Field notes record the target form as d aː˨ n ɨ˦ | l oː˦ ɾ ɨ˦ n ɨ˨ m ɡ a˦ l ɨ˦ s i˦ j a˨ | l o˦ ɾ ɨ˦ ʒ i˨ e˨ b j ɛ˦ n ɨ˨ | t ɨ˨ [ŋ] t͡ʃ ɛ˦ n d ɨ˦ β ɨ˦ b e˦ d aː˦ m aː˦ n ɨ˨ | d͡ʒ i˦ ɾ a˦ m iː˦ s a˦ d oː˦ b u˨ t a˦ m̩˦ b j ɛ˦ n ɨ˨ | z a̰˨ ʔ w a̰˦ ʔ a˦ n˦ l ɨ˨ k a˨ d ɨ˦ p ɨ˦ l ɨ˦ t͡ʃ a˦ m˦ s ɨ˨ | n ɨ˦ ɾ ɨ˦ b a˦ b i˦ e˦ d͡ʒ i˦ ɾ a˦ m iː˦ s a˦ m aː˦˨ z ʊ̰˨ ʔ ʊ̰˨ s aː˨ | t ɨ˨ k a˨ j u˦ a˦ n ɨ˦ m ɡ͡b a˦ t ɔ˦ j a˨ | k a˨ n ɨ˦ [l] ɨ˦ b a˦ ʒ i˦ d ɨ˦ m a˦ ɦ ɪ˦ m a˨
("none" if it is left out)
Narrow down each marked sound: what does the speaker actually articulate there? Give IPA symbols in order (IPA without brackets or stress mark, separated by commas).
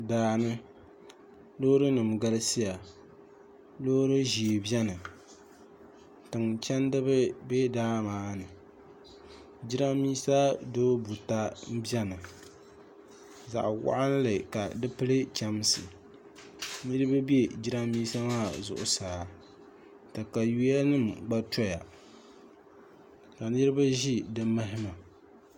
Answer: ŋ, ɾ